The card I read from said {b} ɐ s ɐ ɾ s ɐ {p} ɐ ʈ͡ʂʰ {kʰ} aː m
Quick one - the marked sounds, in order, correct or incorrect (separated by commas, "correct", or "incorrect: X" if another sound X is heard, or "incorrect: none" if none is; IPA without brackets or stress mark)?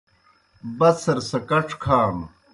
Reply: correct, incorrect: k, correct